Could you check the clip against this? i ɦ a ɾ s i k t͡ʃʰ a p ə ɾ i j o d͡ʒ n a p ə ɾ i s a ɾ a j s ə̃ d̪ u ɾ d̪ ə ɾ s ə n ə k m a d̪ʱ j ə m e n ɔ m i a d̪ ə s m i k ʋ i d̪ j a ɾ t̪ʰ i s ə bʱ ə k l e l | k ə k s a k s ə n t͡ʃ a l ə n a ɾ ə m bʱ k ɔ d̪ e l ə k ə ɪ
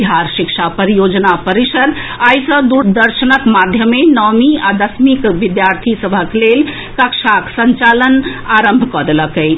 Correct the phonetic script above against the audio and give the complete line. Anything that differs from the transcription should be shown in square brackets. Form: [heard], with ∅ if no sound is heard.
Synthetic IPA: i ɦ a ɾ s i k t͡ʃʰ a p ə ɾ i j o d͡ʒ n a p ə ɾ i s [ə] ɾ a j s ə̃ d̪ u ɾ d̪ ə ɾ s ə n ə k m a d̪ʱ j ə m e n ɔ m i a d̪ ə s m i k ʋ i d̪ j a ɾ t̪ʰ i s ə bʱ ə k l e l | k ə k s a k s ə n t͡ʃ a l ə n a ɾ ə m bʱ k ɔ d̪ e l ə k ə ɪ